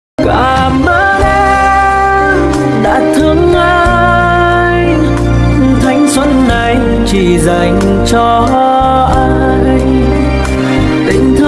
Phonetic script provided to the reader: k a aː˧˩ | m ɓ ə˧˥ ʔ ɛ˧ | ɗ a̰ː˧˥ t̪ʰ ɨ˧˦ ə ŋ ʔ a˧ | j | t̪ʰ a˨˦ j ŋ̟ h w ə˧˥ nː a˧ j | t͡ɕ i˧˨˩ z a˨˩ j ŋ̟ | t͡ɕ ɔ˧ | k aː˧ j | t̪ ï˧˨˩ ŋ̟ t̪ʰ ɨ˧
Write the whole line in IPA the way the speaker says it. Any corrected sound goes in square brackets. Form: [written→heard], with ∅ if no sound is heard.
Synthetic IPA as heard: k a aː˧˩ | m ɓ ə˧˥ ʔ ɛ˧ | ɗ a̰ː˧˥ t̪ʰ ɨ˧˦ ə ŋ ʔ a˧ | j | t̪ʰ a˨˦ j ŋ̟ [h→s] w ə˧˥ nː [a˧→a˨˩] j | t͡ɕ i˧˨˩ z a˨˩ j ŋ̟ | t͡ɕ ɔ˧ | [k→ʔ] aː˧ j | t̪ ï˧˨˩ ŋ̟ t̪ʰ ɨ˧